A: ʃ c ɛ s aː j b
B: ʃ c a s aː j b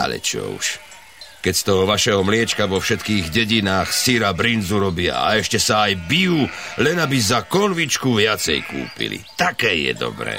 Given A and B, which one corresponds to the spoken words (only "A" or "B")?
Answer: A